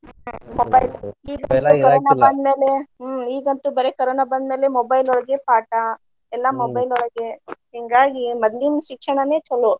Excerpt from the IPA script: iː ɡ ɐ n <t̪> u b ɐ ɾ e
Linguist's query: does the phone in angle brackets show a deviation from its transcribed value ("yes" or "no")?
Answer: no